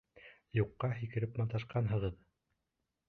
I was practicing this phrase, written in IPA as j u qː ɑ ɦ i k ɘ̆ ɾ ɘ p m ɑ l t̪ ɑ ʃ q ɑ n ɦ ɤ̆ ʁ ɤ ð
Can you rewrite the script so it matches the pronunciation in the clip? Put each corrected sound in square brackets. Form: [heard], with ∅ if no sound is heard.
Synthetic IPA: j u qː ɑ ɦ i k ɘ̆ ɾ ɘ p m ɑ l t̪ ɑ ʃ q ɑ n ɦ ɤ̆ ʁ ɤ ð